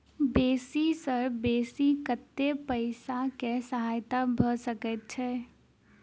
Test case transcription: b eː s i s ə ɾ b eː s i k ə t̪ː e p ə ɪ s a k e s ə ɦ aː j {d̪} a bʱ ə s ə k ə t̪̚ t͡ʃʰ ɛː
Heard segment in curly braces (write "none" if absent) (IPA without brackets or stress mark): t̪